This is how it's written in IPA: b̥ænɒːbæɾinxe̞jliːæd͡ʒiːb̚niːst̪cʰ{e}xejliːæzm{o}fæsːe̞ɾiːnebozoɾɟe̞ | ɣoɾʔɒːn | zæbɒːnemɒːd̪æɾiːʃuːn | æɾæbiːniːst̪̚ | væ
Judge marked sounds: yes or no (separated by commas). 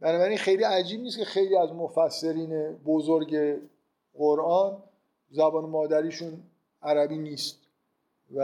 yes, yes